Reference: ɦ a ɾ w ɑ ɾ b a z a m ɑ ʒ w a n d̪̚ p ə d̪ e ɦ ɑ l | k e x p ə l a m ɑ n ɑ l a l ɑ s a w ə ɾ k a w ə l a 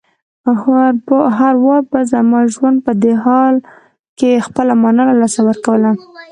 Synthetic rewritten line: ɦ a ɾ w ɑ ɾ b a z a m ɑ ʒ w a n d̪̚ p ə d̪ e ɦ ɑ l | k e x p ə l a m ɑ n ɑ l a l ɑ s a w ə ɾ k a w ə l a